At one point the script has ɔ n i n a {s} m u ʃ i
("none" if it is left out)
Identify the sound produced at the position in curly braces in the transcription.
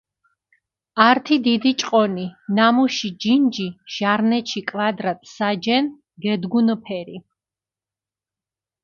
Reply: none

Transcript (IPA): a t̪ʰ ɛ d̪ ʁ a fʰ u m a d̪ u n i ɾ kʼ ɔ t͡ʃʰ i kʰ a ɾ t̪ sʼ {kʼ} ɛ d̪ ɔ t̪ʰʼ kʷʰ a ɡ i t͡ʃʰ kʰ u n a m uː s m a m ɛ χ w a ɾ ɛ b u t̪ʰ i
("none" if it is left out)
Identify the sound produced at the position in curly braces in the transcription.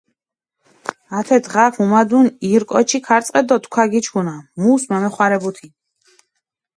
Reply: qʼ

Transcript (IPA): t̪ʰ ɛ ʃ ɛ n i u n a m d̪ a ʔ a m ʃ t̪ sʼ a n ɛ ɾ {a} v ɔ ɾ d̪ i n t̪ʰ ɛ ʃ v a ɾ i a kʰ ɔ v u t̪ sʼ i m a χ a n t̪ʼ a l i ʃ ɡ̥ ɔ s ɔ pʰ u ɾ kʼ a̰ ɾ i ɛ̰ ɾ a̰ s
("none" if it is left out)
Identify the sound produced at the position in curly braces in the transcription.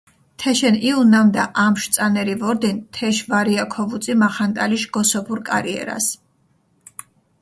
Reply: i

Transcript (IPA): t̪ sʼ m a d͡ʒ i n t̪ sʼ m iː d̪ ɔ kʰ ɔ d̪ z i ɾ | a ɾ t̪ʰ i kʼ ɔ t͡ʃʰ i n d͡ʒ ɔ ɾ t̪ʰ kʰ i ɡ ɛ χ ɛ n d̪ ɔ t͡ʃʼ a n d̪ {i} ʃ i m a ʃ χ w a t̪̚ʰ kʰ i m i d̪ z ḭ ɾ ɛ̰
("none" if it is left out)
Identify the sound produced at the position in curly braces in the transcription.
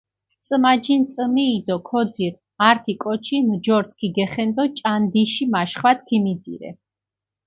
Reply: i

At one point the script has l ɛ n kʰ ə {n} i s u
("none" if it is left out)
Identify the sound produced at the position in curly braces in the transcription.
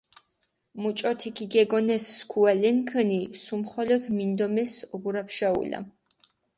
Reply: n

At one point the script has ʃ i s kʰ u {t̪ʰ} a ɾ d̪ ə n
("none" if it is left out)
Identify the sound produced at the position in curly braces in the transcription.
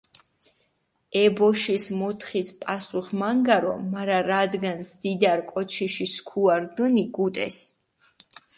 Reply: none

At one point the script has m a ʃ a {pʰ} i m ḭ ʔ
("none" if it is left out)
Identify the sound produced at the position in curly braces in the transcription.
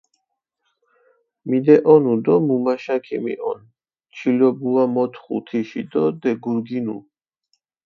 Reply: kʰ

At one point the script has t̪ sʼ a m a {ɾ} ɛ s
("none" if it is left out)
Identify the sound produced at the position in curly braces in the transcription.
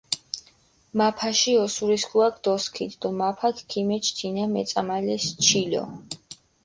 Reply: l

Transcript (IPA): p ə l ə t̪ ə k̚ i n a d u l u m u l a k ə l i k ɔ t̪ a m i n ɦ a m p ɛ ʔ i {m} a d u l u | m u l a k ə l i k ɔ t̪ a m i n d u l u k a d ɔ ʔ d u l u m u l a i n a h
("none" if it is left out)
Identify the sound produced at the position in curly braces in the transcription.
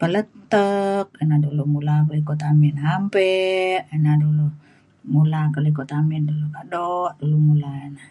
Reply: n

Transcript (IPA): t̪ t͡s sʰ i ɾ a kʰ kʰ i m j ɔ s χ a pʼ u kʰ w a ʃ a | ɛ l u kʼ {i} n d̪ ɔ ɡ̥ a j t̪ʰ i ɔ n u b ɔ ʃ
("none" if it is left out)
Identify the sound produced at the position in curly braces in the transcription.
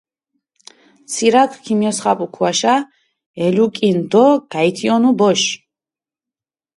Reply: i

